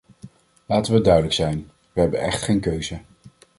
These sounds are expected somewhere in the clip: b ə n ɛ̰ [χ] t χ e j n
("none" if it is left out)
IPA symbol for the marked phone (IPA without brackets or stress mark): χ